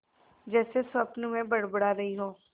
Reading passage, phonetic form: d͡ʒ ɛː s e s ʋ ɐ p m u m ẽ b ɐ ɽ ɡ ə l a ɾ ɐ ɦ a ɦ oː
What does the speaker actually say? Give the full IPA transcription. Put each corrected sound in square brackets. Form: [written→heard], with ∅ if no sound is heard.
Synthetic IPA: d͡ʒ ɛː s e s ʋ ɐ p [m→n] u m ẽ b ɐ ɽ [ɡ→b] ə [l→ɽ] a ɾ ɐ ɦ [a→i] ɦ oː